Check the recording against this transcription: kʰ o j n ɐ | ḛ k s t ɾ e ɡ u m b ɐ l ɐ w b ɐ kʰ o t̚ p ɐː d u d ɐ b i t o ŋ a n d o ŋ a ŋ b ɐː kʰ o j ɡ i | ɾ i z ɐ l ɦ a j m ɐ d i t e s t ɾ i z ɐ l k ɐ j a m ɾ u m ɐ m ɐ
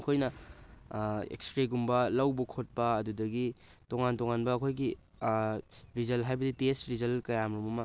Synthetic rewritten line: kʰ o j n ɐ | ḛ k s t ɾ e ɡ u m b ɐ l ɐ w b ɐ kʰ o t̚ p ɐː d u d ɐ ɡ i t o ŋ a n t o ŋ a n b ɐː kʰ o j ɡ i | ɾ i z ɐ l ɦ a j b ɐ d i t e s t ɾ i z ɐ l k ɐ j a m ɾ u m ɐ m ɐ